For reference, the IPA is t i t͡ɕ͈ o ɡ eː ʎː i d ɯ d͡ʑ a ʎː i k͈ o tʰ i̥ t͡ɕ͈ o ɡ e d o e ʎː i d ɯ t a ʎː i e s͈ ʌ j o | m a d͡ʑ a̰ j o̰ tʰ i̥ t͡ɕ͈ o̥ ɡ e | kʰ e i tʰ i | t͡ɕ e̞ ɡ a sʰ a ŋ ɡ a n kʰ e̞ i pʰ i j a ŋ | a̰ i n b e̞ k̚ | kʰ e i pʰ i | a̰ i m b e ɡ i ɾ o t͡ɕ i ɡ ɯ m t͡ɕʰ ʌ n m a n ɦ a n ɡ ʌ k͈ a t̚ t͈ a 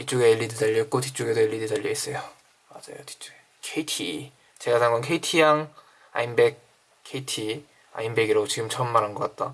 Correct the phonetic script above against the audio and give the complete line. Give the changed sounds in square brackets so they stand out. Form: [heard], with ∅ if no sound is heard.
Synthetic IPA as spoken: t i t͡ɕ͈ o ɡ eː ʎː i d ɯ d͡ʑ a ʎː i k͈ o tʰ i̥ t͡ɕ͈ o ɡ e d o e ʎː i d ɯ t a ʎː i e s͈ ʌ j o | m a d͡ʑ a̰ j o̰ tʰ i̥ t͡ɕ͈ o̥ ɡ e | kʰ e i tʰ i | t͡ɕ e̞ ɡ a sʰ a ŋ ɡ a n kʰ e̞ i [tʰ] i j a ŋ | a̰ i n b e̞ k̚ | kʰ e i [tʰ] i | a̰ i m b e ɡ i ɾ o t͡ɕ i ɡ ɯ m t͡ɕʰ ʌ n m a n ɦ a n ɡ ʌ k͈ a t̚ t͈ a